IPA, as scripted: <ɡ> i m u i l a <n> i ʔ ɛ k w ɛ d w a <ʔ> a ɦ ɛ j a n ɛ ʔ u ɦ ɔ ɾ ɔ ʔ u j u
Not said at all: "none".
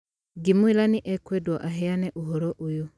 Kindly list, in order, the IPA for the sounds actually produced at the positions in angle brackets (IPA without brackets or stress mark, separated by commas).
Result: ɡ, n, ʔ